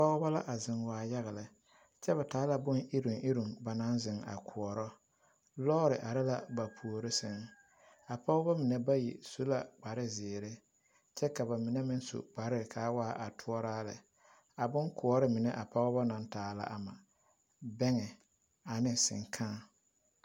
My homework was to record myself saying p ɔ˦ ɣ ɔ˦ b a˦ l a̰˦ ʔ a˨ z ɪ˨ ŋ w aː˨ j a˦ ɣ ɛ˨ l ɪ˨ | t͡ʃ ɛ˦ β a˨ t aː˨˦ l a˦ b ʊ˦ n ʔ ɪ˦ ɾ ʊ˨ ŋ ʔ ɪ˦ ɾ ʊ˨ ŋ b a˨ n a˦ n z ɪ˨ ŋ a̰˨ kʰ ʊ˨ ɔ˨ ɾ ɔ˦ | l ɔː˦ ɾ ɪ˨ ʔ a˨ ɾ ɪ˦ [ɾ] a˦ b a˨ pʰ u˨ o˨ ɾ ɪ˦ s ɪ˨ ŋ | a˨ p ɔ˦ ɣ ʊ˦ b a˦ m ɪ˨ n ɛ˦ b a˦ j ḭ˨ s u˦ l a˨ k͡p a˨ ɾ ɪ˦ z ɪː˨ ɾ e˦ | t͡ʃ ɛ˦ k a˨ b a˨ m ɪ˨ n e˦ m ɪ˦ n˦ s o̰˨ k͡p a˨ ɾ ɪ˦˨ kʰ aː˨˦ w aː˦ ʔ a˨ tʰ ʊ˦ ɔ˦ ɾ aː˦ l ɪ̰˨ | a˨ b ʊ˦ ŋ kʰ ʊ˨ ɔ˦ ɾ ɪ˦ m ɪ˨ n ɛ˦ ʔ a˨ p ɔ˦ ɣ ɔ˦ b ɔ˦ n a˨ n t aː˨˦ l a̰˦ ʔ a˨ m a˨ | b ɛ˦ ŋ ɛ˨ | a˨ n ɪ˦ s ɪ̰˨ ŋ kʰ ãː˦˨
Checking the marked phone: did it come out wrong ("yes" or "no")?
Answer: yes